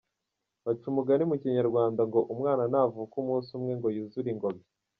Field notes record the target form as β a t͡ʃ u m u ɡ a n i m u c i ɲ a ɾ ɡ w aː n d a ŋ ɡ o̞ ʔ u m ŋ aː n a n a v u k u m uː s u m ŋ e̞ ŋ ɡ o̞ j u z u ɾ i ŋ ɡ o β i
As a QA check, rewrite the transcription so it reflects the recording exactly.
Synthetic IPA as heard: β a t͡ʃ u m u ɡ a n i m u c i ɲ a ɾ ɡ w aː n d a ŋ ɡ o̞ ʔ u m ŋ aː n a n a v u k u m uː s u m ŋ e̞ ŋ ɡ o̞ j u z u ɾ i ŋ ɡ o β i